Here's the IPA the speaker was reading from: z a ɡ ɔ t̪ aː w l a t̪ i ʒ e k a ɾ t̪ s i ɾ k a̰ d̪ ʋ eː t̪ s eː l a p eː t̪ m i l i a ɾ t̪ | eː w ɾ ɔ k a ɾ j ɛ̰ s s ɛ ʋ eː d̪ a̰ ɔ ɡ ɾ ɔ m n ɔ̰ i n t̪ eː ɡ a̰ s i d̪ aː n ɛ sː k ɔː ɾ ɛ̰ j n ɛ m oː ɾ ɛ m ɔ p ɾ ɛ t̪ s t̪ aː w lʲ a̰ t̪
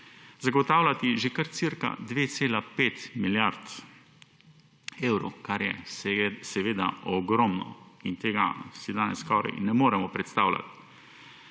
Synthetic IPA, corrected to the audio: z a ɡ ɔ t̪ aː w l a t̪ i ʒ e k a ɾ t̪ s i ɾ k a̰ d̪ ʋ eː t̪ s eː l a p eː t̪ m i l j a ɾ t̪ | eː w ɾ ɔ k a ɾ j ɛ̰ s s ɛ ʋ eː d̪ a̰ ɔ ɡ ɾ ɔ m n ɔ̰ i n t̪ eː ɡ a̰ s i d̪ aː n ɛ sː k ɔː ɾ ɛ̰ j n ɛ m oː ɾ ɛ m ɔ p ɾ ɛ t̪ s t̪ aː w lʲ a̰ t̪

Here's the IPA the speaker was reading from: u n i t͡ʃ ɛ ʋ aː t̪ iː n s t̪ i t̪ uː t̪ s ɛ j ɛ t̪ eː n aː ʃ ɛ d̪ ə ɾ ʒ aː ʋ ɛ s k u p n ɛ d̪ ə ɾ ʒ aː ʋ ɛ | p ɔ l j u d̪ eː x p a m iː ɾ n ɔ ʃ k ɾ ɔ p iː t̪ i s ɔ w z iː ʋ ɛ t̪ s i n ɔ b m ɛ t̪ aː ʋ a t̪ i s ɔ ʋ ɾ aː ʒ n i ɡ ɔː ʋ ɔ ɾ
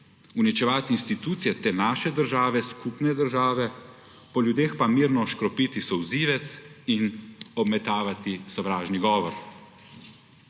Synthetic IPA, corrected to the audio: u n i t͡ʃ ɛ ʋ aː t̪ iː n s t̪ i t̪ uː t̪ s i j ɛ t̪ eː n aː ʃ ɛ d̪ ə ɾ ʒ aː ʋ ɛ s k u p n ɛ d̪ ə ɾ ʒ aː ʋ ɛ | p ɔ l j u d̪ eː x p a m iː ɾ n ɔ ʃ k ɾ ɔ p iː t̪ i s ɔ w z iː ʋ ɛ t̪ s i n ɔ b m ɛ t̪ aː ʋ a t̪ i s ɔ ʋ ɾ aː ʒ n i ɡ ɔː ʋ ɔ ɾ

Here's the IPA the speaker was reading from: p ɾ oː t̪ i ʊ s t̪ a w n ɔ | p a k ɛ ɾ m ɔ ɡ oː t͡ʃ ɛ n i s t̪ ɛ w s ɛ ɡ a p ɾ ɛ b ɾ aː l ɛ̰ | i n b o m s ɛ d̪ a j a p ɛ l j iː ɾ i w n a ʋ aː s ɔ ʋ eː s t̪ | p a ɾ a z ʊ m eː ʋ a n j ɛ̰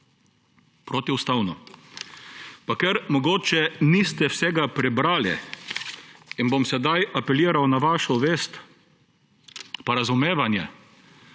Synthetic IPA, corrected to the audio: p ɾ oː t̪ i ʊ s t̪ a w n ɔ | p a k ɛ ɾ m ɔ ɡ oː t͡ʃ ɛ n i s t̪ ɛ w s ɛ ɡ a p ɾ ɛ b ɾ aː l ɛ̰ | i n b o m s ɛ d̪ a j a p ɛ l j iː ɾ a w n a ʋ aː ʃ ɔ ʋ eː s t̪ | p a ɾ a z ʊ m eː ʋ a n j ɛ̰

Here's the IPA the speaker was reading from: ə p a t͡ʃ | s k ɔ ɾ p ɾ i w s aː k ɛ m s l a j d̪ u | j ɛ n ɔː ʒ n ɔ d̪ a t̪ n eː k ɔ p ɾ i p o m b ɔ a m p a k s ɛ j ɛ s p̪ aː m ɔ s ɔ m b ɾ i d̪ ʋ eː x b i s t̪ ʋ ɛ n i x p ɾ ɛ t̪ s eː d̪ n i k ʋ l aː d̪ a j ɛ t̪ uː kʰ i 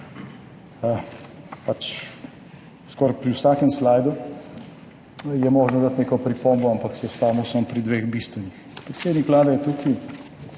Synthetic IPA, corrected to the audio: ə p a t͡ʃ | s k ɔ ɾ p ɾ i w s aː k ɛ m s l a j d̪ u | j ɛ m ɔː ʒ n ɔ d̪ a t̪ n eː k ɔ p ɾ i p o m b ɔ a m p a k s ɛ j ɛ s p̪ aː m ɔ s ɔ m p ɾ i d̪ ʋ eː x b i s t̪ ʋ ɛ n i x p ɾ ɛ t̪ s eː d̪ n i k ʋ l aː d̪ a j ɛ t̪ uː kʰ i

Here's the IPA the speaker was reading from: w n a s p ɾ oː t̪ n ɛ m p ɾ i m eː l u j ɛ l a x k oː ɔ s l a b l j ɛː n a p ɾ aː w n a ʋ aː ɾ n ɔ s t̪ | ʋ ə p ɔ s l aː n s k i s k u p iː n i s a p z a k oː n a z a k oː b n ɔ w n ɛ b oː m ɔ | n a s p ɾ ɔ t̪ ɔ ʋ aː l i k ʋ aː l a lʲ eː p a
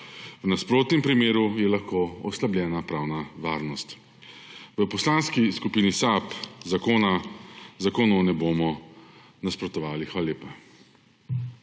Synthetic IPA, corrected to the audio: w n a s p ɾ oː t̪ n ɛ m p ɾ i m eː ɾ u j ɛ l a x k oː ɔ s l a b l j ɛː n a p ɾ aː w n a ʋ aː ɾ n ɔ s t̪ | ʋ ə p ɔ s l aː n s k i s k u p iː n i s a p z a k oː n a z a k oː n ɔ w n ɛ b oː m ɔ | n a s p ɾ ɔ t̪ ɔ ʋ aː l i x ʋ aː l a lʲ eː p a

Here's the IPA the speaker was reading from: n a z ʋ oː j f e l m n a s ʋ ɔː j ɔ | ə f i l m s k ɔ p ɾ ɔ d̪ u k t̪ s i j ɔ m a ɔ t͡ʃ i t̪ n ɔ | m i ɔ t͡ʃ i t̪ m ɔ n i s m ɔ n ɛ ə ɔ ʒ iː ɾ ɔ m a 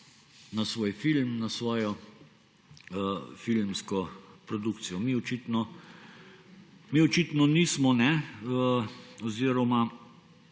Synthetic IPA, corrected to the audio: n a s ʋ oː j f i l m n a s ʋ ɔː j ɔ | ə f i l m s k ɔ p ɾ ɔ d̪ u k t̪ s i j ɔ m i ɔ t͡ʃ i t̪ n ɔ | m i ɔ t͡ʃ i t̪ n ɔ n i s m ɔ n ɛ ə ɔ z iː ɾ ɔ m a

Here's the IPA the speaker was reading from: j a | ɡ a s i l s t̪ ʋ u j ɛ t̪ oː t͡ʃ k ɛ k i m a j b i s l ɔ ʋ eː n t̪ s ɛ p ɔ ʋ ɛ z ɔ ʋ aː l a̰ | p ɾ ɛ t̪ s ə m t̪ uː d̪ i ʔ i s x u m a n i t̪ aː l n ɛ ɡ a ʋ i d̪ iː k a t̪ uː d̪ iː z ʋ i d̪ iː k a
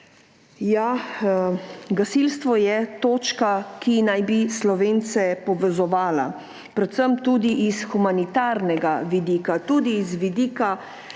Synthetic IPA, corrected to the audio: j a | ɡ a s i l s t̪ ʋ ɔ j ɛ t̪ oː t͡ʃ k a k i n a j b i s l ɔ ʋ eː n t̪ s ɛ p ɔ ʋ ɛ z ɔ ʋ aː l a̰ | p ɾ ɛ t̪ s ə m t̪ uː d̪ i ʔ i s x u m a n i t̪ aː ɾ n ɛ ɡ a ʋ i d̪ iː k a t̪ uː d̪ iː z ʋ i d̪ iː k a

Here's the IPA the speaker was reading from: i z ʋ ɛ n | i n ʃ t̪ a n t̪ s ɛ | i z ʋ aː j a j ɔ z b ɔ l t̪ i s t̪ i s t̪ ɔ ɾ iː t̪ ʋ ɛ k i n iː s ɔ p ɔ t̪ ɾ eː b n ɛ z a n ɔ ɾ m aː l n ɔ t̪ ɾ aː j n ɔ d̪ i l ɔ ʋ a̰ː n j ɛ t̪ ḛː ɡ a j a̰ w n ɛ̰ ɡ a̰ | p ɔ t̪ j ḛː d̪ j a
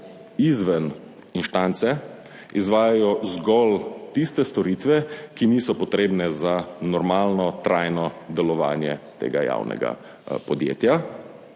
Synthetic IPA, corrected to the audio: i z ʋ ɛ n | i n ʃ t̪ a n t̪ s ɛ | i z ʋ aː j a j ɔ z ɡ ɔ l t̪ i s t̪ ɛ s t̪ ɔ ɾ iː t̪ ʋ ɛ k i n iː s ɔ p ɔ t̪ ɾ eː b n ɛ z a n ɔ ɾ m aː l n ɔ t̪ ɾ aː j n ɔ d̪ ɛ l ɔ ʋ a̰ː n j ɛ t̪ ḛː ɡ a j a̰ w n ɛ̰ ɡ a̰ | p ɔ d̪ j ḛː t̪ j a

